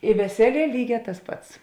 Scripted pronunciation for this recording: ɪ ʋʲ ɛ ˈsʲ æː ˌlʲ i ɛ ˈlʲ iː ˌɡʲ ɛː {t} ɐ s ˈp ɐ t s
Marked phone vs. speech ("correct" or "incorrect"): correct